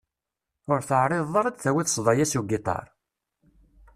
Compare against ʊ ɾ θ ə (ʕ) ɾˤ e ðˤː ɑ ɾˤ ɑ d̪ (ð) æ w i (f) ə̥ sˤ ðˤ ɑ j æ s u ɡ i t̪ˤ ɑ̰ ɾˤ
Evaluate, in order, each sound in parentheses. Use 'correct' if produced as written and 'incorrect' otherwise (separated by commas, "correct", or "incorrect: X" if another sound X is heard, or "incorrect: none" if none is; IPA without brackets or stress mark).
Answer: correct, incorrect: θ, incorrect: θ